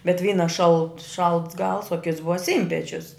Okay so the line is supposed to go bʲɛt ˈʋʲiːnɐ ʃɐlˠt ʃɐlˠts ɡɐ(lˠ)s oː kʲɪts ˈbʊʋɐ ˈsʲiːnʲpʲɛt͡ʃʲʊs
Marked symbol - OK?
yes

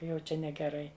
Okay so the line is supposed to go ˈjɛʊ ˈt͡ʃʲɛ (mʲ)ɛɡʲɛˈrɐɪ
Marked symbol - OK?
no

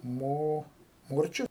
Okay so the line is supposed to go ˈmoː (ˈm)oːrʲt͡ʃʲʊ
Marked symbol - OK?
yes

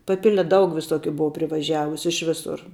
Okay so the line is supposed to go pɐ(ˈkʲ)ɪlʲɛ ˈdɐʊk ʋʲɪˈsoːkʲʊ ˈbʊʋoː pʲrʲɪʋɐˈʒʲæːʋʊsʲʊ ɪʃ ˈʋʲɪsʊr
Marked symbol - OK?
no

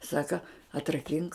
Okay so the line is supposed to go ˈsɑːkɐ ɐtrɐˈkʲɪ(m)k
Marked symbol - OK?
no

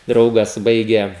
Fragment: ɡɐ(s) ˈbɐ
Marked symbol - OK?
yes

